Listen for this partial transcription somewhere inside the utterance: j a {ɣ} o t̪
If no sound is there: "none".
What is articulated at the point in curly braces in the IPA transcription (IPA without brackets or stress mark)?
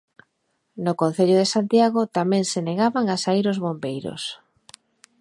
ɣ